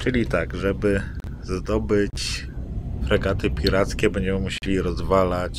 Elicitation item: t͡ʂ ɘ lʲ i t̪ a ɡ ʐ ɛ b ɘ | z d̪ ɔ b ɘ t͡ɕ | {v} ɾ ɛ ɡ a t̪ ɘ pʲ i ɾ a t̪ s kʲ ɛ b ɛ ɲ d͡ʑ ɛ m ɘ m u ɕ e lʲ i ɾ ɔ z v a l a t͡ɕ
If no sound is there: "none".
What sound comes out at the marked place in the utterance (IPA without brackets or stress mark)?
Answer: f